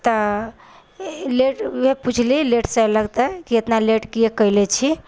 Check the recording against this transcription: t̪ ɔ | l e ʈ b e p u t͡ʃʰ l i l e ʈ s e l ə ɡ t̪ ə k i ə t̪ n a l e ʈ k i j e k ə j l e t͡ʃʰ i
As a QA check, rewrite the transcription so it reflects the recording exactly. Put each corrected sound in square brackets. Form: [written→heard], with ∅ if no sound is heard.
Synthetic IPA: t̪ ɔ | l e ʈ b e p u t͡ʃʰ l i l e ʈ s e l ə ɡ t̪ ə k i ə t̪ n a l e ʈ k i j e k ə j l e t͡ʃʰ i